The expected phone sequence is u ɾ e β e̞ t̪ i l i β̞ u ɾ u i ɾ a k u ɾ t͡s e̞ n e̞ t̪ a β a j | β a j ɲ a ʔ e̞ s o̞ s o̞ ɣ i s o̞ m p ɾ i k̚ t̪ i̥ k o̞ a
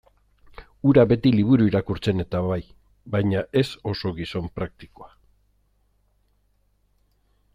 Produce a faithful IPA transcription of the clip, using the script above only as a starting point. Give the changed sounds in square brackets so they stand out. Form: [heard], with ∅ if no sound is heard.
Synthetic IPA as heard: u ɾ [a] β e̞ t̪ i l i β̞ u ɾ u i ɾ a k u ɾ t͡s e̞ n e̞ t̪ a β a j | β a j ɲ a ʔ e̞ s o̞ s o̞ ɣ i s o̞ m p ɾ [a] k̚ t̪ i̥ k o̞ a